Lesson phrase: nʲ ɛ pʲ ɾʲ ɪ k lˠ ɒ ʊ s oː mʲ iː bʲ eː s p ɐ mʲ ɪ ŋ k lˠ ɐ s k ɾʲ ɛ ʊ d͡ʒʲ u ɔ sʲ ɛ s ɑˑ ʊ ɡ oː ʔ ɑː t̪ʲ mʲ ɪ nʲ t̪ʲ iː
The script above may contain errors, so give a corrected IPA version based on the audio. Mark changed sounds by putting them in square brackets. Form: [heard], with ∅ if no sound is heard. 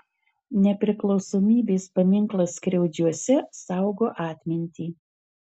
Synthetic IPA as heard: nʲ ɛ pʲ ɾʲ ɪ k lˠ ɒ ʊ s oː mʲ iː bʲ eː s p ɐ mʲ ɪ ŋ k lˠ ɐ s k ɾʲ ɛ ʊ d͡ʒʲ u ɔ sʲ ɛ s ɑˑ ʊ ɡ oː ʔ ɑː t̪ʲ mʲ ɪ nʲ t̪ʲ iː